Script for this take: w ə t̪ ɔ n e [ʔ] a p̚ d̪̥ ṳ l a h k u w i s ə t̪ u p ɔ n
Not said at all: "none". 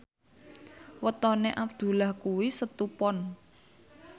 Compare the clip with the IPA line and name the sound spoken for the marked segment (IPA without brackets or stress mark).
ʔ